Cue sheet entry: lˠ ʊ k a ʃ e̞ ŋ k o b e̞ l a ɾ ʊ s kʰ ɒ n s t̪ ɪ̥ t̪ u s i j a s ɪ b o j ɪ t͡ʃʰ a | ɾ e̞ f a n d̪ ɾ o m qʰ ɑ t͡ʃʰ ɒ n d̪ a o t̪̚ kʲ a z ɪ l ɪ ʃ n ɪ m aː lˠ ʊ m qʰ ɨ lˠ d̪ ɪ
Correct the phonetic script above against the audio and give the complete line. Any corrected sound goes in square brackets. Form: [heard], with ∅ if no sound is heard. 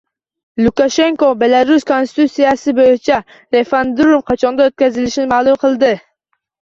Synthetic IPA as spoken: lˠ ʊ k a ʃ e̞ ŋ k o b e̞ l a ɾ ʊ s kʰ [o] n s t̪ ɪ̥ t̪ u s i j a s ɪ b o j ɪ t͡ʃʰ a | ɾ e̞ f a n d̪ ɾ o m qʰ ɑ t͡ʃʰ ɒ n d̪ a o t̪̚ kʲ a z ɪ l ɪ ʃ n ɪ m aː lˠ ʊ m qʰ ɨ lˠ d̪ ɪ